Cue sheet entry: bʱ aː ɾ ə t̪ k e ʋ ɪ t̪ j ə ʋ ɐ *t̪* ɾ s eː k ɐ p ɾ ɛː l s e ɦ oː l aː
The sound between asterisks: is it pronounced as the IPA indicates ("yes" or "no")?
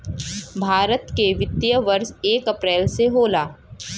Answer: no